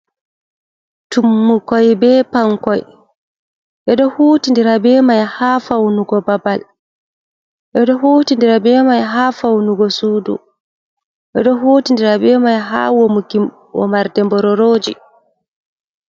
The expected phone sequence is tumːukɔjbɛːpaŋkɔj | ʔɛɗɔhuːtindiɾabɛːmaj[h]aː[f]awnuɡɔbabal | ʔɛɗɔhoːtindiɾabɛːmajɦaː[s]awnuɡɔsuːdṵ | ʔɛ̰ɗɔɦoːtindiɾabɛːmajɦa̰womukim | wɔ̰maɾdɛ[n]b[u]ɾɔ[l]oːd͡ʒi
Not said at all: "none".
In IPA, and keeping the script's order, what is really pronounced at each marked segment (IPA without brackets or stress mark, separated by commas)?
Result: h, f, f, m, ɔ, ɾ